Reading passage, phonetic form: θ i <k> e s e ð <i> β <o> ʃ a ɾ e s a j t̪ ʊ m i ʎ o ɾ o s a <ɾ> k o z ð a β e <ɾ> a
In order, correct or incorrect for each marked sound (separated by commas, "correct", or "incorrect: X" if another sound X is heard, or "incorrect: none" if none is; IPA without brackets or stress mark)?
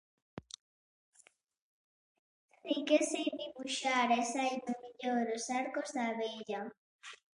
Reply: correct, correct, incorrect: u, correct, incorrect: ʎ